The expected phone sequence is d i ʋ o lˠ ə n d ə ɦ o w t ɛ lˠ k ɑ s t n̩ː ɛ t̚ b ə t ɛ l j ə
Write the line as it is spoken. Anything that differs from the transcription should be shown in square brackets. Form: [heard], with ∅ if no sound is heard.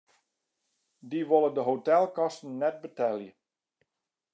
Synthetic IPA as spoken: d i ʋ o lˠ ə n d ə ɦ o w t ɛ lˠ k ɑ s t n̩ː ɛ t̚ b ə t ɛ l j ə